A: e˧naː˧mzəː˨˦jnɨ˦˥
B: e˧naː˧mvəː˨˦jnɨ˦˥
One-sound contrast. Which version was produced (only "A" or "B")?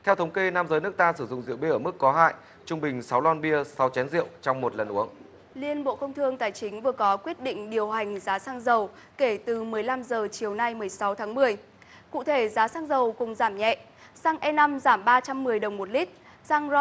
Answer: A